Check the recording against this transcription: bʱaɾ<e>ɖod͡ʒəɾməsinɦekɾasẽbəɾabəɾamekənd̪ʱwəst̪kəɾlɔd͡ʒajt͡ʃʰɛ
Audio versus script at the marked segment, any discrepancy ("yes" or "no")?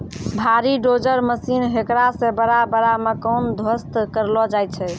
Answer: yes